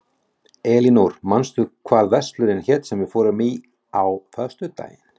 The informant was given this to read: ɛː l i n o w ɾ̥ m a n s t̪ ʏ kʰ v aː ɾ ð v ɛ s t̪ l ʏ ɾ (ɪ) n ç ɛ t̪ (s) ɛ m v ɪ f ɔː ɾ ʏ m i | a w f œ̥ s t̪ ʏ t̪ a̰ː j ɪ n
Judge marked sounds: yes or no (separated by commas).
yes, yes